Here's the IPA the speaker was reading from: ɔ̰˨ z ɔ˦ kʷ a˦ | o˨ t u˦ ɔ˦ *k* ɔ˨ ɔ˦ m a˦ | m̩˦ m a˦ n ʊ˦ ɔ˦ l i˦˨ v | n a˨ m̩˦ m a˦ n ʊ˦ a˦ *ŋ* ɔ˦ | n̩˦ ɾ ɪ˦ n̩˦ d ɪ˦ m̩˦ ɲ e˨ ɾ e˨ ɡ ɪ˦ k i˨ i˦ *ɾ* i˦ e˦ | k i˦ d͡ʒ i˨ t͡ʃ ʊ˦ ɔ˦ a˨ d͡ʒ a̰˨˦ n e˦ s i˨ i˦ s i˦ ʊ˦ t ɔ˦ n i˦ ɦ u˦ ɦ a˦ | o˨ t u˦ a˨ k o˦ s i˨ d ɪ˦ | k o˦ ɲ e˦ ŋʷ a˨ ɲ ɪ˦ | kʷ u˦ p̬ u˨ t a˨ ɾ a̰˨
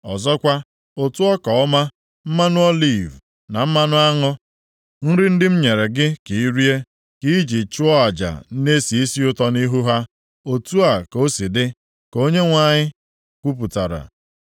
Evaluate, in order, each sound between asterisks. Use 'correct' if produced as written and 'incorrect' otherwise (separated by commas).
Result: correct, correct, correct